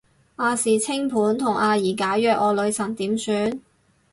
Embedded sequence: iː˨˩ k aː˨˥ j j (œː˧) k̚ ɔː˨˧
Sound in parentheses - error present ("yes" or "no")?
no